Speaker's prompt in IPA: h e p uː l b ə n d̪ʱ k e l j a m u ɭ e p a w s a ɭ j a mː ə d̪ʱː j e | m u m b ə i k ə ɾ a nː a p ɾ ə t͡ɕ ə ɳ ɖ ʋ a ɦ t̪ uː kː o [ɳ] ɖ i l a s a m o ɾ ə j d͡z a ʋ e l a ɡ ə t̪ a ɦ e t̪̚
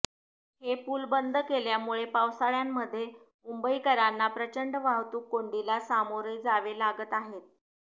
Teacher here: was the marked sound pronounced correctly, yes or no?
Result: yes